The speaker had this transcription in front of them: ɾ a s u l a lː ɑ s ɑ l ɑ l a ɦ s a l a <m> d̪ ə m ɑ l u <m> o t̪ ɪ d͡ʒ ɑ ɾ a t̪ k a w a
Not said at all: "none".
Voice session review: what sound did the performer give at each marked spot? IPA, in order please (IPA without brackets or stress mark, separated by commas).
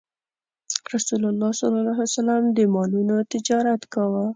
m, n